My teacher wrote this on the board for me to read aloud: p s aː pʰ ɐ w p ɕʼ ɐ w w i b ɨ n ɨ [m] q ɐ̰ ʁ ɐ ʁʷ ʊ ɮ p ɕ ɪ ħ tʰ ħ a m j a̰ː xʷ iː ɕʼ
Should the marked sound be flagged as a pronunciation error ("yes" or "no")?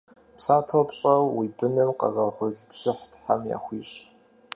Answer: no